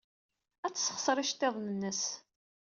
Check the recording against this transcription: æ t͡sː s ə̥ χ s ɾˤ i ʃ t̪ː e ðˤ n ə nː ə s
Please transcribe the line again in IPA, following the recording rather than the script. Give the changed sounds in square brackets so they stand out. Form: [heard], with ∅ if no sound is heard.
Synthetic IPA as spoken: æ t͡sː s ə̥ χ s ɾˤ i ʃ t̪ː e ðˤ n ə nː ə s